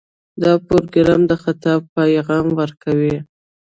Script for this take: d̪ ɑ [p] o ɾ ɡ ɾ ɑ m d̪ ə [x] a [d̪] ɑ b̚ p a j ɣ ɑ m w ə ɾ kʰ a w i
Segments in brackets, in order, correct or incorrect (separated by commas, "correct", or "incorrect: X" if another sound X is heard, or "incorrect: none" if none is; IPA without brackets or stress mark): correct, correct, incorrect: t̪